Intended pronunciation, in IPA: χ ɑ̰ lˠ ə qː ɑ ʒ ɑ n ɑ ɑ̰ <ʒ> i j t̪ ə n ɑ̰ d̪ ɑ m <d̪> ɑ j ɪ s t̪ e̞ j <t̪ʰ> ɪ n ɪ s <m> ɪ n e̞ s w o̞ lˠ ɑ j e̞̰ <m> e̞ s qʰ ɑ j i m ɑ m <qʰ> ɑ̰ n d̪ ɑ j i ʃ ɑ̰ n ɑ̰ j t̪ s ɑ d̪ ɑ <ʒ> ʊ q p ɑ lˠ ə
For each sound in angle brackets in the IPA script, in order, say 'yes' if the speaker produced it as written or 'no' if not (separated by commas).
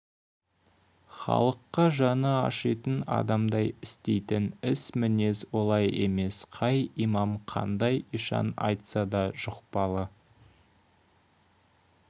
no, yes, no, yes, yes, yes, yes